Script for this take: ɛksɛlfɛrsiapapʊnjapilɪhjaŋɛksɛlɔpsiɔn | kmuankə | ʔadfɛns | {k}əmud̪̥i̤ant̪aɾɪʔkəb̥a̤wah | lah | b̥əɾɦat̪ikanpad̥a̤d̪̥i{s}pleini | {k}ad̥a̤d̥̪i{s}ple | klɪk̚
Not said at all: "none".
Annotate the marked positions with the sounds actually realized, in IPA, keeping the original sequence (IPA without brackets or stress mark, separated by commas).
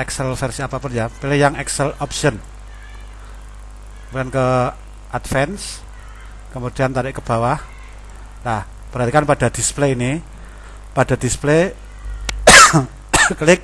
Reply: k, s, p, s